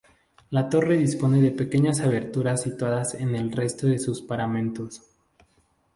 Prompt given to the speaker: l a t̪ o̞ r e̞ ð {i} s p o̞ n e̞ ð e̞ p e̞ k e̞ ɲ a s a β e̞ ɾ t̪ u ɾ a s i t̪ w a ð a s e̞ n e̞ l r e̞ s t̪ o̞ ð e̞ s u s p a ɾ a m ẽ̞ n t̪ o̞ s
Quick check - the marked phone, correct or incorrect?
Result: correct